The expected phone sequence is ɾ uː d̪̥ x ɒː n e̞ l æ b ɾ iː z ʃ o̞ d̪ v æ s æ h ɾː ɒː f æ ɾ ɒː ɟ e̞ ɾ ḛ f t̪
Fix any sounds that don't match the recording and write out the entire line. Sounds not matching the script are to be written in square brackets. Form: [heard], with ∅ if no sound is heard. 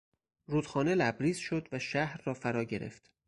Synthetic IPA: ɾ uː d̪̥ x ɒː n e̞ l æ b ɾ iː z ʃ o̞ d̪ v æ [ʃ] æ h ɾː ɒː f æ ɾ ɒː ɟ e̞ ɾ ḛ f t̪